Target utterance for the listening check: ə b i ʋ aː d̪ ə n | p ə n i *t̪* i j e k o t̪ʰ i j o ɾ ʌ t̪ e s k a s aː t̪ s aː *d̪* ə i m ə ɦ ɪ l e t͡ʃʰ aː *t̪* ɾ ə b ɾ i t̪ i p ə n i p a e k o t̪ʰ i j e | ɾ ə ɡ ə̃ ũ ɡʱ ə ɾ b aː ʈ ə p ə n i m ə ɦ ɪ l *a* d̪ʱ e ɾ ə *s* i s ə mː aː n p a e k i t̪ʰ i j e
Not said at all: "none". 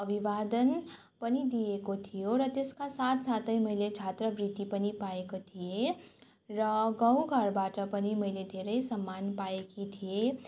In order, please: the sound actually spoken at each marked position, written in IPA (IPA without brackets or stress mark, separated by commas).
d̪, t̪, t̪, e, none